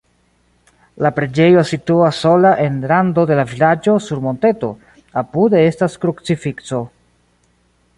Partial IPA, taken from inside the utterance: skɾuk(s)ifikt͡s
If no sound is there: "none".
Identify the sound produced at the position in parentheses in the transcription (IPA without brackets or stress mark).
t͡s